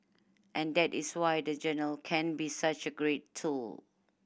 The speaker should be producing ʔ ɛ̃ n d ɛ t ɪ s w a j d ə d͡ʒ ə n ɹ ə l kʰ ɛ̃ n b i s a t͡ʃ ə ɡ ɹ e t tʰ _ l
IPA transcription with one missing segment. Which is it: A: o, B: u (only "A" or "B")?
B